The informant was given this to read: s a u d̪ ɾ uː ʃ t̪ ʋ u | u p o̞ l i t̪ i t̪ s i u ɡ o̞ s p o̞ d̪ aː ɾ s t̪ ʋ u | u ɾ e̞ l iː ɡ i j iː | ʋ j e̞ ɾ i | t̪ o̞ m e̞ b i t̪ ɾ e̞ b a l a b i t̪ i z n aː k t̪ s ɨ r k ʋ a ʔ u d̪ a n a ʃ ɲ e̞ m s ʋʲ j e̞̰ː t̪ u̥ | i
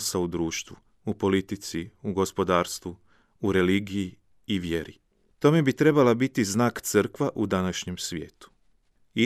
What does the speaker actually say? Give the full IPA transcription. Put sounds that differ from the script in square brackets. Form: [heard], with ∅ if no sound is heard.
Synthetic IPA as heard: s a u d̪ ɾ uː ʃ t̪ ʋ u | u p o̞ l i t̪ i t̪ s i u ɡ o̞ s p o̞ d̪ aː ɾ s t̪ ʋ u | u ɾ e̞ l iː ɡ i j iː | ʋ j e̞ ɾ i | t̪ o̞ m e̞ b i t̪ ɾ e̞ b a l a b i t̪ i z n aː k t̪ s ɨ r k ʋ a ʔ u d̪ a n a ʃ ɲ e̞ m s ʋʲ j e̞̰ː t̪ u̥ | i